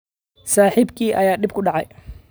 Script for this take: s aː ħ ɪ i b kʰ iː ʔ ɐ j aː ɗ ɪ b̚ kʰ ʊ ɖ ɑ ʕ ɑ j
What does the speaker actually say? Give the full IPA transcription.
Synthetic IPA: s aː ħ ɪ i b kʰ iː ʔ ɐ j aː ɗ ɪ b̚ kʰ ʊ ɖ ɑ ʕ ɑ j